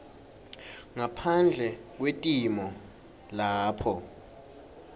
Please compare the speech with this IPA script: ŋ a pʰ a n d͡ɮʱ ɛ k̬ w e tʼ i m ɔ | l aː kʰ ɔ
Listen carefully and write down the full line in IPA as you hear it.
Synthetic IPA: ŋ a pʰ a n d͡ɮʱ ɛ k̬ w e tʼ i m ɔ | l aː pʰ ɔ